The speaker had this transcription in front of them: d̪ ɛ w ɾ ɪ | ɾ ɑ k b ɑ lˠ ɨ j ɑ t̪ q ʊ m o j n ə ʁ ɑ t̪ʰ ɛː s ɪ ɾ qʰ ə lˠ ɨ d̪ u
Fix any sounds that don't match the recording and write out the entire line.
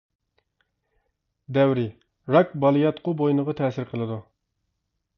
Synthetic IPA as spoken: d̪ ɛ w ɾ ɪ | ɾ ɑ k b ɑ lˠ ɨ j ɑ t̪ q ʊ b o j n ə ʁ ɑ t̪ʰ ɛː s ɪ ɾ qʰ ə lˠ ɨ d̪ u